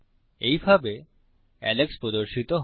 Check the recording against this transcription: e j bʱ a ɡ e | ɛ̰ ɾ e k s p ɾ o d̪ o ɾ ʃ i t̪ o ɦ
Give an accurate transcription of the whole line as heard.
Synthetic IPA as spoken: e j bʱ a b e | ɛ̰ l e k s p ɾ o d̪ o ɾ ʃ i t̪ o ɦ